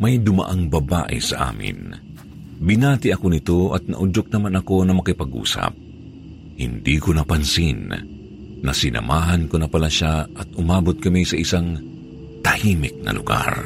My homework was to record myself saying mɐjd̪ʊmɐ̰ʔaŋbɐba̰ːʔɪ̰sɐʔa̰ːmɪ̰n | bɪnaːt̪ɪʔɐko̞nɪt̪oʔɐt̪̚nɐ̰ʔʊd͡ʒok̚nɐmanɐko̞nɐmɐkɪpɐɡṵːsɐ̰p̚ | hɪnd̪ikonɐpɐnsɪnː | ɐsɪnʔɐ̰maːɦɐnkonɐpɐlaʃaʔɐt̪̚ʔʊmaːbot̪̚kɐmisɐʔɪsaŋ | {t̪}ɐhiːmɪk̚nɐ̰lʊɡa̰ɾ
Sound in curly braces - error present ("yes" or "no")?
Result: no